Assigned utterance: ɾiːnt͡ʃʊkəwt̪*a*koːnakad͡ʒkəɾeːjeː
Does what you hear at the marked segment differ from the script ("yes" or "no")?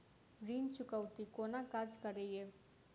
yes